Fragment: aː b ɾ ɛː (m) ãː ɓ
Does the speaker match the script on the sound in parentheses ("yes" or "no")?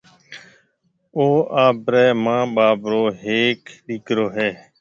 yes